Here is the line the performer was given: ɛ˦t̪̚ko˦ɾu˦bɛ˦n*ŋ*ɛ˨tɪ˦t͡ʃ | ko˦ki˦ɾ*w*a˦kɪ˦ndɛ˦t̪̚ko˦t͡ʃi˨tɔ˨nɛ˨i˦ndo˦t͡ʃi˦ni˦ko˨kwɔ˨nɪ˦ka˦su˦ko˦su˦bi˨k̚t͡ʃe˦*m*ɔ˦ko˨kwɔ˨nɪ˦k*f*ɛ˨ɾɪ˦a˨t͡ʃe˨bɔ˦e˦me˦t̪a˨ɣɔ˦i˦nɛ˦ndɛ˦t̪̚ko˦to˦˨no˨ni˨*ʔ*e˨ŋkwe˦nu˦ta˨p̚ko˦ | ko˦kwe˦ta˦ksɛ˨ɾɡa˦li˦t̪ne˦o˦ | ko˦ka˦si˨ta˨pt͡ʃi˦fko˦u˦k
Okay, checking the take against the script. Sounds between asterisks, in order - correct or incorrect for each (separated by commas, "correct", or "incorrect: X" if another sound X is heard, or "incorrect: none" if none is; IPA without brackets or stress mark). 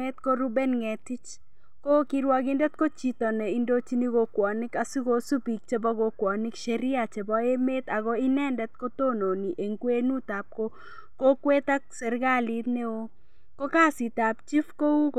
correct, correct, incorrect: b, incorrect: ʃ, correct